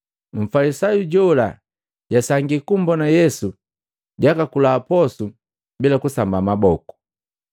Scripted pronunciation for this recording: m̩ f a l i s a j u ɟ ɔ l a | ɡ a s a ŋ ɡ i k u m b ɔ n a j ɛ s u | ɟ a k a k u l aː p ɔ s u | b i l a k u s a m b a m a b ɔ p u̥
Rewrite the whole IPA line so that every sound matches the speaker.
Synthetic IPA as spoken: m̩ f a l i s a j u ɟ ɔ l a | ɟ a s a ŋ ɡ i k u m b ɔ n a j ɛ s u | ɟ a k a k u l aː p ɔ s u | b i l a k u s a m b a m a b ɔ k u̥

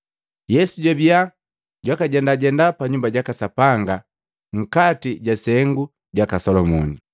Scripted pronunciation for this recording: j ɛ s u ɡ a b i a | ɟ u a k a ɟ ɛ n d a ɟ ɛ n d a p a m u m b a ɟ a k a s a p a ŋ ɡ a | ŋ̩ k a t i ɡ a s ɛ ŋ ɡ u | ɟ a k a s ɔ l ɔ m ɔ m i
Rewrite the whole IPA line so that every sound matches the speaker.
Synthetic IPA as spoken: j ɛ s u ɟ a b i a | ɟ w a k a ɟ ɛ n d a ɟ ɛ n d a p a ɲ u m b a ɟ a k a s a p a ŋ ɡ a | ŋ̩ k a t i ɟ a s ɛ ŋ ɡ u | ɟ a k a s ɔ l ɔ m ɔ n i

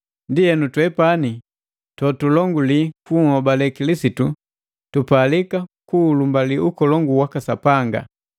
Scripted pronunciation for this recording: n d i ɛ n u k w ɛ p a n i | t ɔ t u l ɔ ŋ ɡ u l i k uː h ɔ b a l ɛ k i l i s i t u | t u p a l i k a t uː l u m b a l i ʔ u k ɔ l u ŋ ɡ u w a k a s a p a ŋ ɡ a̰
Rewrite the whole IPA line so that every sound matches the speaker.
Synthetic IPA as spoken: n d i ɛ n u t w ɛ p a n i | t ɔ t u l ɔ ŋ ɡ u l i k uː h ɔ b a l ɛ k i l i s i t u | t u p a l i k a k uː l u m b a l i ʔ u k ɔ l ɔ ŋ ɡ u w a k a s a p a ŋ ɡ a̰

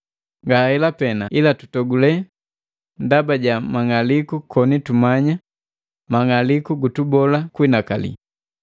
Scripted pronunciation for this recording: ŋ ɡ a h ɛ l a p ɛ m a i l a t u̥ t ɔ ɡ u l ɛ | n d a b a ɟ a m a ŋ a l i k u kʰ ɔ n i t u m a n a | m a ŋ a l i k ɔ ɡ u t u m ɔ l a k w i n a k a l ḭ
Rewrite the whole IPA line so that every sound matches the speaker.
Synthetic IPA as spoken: ŋ ɡ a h ɛ l a p ɛ n a i l a t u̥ t ɔ ɡ u l ɛ | n d a b a ɟ a m a ŋ a l i k u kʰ ɔ n i t u m a ɲ a | m a ŋ a l i k u ɡ u t u b ɔ l a k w i n a k a l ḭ

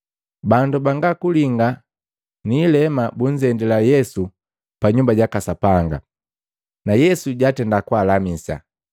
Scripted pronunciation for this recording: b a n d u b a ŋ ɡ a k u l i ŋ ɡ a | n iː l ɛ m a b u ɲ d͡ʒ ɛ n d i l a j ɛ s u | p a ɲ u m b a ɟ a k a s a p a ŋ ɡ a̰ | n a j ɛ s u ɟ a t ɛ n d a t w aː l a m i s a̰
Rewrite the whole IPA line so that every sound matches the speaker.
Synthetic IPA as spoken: b a n d u b a ŋ ɡ a k u l i ŋ ɡ a | n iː l ɛ m a b u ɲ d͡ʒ ɛ n d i l a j ɛ s u | p a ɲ u m b a ɟ a k a s a p a ŋ ɡ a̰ | n a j ɛ s u ɟ a t ɛ n d a k w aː l a m i s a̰

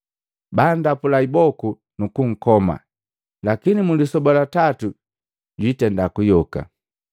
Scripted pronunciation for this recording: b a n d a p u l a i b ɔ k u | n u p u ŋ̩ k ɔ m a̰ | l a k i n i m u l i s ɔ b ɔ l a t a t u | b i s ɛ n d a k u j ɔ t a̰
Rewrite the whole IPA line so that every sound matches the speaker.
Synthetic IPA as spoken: b a n d a p u l a i b ɔ k u | n u k u ŋ̩ k ɔ m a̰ | l a k i n i m u l i s ɔ b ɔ l a t a t u | ɟ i t ɛ n d a k u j ɔ k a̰

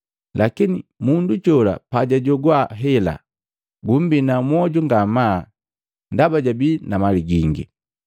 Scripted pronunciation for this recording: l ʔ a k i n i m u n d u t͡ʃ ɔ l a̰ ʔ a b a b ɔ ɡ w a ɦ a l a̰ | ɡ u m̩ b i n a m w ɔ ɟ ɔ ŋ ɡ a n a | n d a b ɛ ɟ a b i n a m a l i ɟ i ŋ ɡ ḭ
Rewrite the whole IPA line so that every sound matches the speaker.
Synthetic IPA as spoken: l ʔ a k i n i m u n d u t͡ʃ ɔ l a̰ p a ɟ a ɟ ɔ ɡ w a ɦ ɛ l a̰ | ɡ u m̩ b i n a m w ɔ ɟ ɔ ŋ ɡ a m a | n d a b a ɟ a b i n a m a l i ɡ i ŋ ɡ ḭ

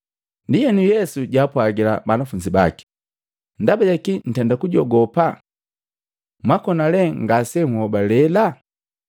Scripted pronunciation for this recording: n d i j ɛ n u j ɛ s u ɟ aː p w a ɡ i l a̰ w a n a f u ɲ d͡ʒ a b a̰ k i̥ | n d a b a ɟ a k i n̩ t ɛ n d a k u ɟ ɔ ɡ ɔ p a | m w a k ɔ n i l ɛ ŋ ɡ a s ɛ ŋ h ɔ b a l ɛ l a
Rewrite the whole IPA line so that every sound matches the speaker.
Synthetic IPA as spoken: n d i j ɛ n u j ɛ s u ɟ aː p w a ɡ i l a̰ b a n a f u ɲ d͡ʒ i b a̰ k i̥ | n d a b a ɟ a k i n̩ t ɛ n d a k u ɟ ɔ ɡ ɔ p a | m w a k ɔ n a l ɛ ŋ ɡ a s ɛ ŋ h ɔ b a l ɛ l a

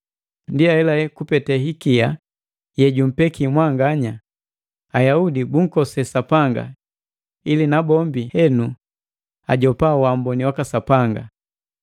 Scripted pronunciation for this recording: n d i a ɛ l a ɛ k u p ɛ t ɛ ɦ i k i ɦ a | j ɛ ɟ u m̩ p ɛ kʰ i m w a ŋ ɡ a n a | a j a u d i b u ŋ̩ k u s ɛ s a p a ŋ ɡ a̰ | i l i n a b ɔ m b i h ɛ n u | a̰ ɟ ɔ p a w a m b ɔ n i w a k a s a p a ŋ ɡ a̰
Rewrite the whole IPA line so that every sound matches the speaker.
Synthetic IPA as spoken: n d i a ɛ l a ɛ k u p ɛ t ɛ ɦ i k i a | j ɛ ɟ u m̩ p ɛ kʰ i m w a ŋ ɡ a ɲ a | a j a u d i b u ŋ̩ k ɔ s ɛ s a p a ŋ ɡ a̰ | i l i n a b ɔ m b i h ɛ n u | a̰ ɟ ɔ p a w a m b ɔ n i w a k a s a p a ŋ ɡ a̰

